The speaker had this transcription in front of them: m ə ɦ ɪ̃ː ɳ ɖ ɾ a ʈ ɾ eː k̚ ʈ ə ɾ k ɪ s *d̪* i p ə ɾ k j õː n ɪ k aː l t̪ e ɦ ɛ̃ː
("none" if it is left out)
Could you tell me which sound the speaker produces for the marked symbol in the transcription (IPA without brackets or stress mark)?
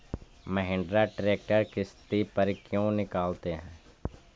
t̪